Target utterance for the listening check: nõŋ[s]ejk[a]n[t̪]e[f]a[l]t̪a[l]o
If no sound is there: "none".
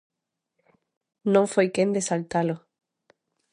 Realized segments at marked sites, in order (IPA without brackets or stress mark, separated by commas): f, e, d̪, s, l, l